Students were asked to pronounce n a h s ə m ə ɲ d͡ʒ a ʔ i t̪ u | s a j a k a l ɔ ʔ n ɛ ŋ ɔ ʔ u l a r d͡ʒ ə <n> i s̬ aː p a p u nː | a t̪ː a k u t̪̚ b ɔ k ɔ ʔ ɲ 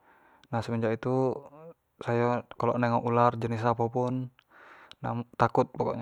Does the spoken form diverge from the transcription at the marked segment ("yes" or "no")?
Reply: no